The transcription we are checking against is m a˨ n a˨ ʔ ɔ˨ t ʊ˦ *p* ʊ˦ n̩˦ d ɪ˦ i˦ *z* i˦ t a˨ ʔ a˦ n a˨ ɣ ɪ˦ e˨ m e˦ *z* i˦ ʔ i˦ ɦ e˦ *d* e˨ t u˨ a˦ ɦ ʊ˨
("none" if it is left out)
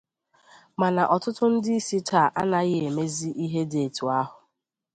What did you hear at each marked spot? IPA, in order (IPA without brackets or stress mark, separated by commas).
t, s, z, d